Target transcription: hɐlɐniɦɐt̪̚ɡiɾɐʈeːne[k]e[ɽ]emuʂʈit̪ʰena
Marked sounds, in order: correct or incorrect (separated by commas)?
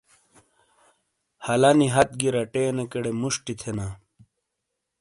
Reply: correct, correct